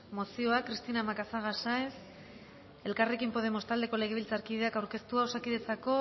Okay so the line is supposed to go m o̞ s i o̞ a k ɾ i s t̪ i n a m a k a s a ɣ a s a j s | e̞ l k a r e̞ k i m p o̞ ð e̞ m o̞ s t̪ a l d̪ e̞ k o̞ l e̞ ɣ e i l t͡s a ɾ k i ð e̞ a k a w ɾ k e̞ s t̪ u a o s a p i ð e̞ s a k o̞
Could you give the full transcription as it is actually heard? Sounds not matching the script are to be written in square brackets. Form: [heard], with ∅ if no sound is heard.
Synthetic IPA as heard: m o̞ s i o̞ a k ɾ i s t̪ i n a m a k a s a ɣ a s a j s | e̞ l k a r e̞ k i m p o̞ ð e̞ m o̞ s t̪ a l d̪ e̞ k o̞ l e̞ ɣ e i l t͡s a ɾ k i ð e̞ a k a w ɾ k e̞ s t̪ u a o s a [k] i ð e̞ [t͡s] a k o̞